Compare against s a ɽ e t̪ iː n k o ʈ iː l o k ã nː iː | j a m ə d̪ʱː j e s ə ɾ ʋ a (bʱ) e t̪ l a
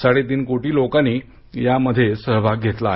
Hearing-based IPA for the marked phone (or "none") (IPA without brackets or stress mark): ɡʱ